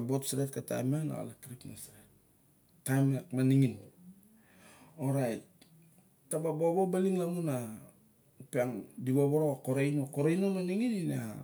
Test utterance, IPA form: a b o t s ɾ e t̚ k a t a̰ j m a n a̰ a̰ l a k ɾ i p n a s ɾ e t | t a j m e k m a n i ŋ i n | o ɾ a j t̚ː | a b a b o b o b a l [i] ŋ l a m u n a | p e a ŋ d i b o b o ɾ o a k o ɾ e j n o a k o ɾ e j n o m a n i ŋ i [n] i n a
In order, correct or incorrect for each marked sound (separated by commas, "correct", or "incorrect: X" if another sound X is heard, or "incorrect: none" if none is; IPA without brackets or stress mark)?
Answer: correct, correct